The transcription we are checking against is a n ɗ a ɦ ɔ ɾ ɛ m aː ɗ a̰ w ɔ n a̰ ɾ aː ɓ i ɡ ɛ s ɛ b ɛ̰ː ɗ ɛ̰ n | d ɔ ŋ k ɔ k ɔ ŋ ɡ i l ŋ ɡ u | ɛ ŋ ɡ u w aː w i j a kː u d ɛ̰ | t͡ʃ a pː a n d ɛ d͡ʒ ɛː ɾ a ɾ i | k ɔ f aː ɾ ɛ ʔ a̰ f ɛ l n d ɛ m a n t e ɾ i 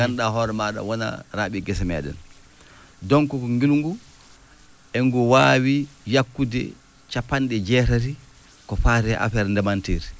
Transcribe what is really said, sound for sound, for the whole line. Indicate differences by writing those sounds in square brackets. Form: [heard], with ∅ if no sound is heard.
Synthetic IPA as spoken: a n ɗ a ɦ ɔ ɾ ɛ m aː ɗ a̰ w ɔ n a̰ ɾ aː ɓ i ɡ ɛ s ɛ [m] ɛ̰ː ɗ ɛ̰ n | d ɔ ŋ k ɔ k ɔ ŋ ɡ i l ŋ ɡ u | ɛ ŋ ɡ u w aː w i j a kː u d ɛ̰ | t͡ʃ a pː a n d ɛ d͡ʒ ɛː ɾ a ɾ i | k ɔ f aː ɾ ɛ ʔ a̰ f ɛ [ɾ] n d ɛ m a n t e ɾ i